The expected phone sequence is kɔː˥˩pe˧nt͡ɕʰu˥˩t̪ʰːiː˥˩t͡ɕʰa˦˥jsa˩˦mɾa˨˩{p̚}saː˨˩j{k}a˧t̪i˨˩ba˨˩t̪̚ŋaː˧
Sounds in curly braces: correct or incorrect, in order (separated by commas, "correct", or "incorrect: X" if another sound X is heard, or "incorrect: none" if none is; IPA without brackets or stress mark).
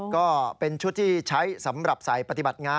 correct, incorrect: p